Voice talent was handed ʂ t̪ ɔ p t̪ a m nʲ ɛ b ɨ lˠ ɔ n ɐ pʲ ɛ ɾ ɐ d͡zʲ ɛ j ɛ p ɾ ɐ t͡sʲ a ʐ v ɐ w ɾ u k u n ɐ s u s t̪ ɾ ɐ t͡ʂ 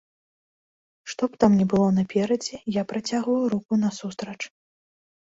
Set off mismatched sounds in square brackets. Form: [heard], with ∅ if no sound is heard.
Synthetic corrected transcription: ʂ t̪ ɔ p t̪ a m nʲ ɛ b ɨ lˠ ɔ n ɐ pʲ ɛ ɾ ɐ d͡zʲ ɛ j [a] p ɾ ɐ t͡sʲ a [ɣ] v ɐ w ɾ u k u n ɐ s u s t̪ ɾ ɐ t͡ʂ